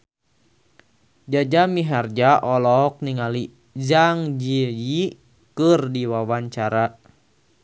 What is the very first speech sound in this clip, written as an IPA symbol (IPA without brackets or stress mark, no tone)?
d͡ʒ